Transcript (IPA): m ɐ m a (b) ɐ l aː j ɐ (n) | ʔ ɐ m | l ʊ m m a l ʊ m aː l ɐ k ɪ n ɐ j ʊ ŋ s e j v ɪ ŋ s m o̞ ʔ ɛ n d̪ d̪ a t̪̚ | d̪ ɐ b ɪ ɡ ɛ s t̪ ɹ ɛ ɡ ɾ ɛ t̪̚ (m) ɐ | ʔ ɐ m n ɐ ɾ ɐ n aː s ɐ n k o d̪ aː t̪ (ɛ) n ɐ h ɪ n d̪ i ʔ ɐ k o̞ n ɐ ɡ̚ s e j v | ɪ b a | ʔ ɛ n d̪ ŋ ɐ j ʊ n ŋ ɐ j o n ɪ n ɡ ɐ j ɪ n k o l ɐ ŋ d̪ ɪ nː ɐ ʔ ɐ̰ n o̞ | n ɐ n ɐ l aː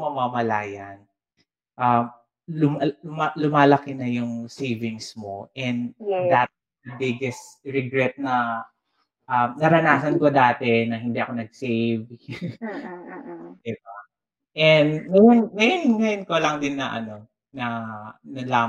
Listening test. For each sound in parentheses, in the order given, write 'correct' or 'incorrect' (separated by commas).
incorrect, correct, incorrect, correct